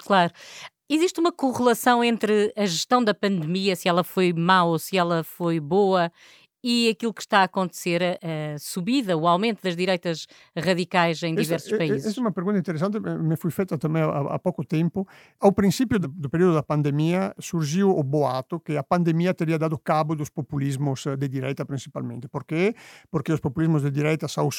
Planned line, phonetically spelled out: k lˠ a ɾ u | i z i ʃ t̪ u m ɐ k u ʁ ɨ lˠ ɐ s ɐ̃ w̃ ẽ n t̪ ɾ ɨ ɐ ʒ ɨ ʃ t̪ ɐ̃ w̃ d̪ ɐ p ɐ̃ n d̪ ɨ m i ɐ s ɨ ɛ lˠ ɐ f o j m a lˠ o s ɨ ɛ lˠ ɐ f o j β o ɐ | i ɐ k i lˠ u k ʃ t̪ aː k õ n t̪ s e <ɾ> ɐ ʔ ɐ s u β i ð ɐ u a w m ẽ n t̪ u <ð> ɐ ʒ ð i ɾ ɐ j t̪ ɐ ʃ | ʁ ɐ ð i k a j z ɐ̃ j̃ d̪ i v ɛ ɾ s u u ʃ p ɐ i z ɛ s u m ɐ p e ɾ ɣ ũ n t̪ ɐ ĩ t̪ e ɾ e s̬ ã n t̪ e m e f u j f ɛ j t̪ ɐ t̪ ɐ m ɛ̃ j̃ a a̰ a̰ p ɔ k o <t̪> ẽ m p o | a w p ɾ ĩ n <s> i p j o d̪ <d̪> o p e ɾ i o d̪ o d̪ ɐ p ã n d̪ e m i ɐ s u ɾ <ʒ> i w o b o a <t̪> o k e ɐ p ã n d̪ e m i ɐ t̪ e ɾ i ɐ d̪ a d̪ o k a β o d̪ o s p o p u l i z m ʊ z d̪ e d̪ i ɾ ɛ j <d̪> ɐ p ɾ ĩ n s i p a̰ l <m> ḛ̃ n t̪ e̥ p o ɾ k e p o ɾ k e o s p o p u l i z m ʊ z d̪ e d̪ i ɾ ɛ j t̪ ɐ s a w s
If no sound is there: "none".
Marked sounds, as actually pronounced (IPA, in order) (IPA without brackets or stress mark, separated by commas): ɾ, ð, t̪, s, d̪, ʒ, t̪, t̪, m